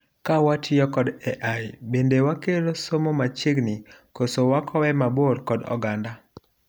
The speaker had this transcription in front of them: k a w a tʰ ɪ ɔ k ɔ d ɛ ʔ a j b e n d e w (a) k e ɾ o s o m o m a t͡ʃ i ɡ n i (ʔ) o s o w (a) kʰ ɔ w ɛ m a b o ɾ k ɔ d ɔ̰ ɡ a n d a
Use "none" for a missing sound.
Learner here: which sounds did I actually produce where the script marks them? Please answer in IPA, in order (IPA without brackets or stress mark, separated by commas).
a, k, a